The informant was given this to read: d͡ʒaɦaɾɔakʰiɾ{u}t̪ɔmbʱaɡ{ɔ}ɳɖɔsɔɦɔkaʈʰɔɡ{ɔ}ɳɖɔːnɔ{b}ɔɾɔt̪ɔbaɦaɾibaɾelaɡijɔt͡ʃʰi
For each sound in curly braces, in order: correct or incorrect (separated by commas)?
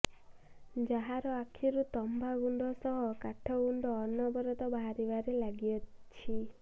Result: correct, incorrect, incorrect, correct